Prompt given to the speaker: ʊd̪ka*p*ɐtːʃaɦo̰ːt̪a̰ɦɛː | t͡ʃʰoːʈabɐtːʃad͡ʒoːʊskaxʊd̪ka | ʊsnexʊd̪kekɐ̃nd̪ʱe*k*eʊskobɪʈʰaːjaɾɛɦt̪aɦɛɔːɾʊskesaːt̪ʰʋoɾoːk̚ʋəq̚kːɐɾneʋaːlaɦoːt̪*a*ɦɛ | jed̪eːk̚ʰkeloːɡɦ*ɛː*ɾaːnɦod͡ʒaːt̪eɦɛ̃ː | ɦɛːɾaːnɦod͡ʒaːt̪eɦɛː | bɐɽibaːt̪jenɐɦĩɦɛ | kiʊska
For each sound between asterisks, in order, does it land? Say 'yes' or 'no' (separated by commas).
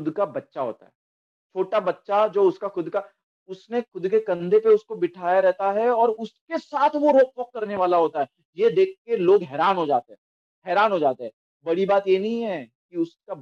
no, no, yes, yes